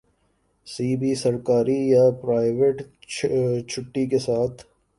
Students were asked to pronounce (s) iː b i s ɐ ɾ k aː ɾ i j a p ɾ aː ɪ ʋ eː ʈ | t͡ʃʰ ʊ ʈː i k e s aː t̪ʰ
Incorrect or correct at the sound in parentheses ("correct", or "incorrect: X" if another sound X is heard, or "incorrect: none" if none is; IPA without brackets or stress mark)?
correct